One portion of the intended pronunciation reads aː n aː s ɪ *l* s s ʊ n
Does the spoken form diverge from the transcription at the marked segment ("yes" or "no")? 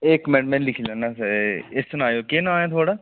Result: yes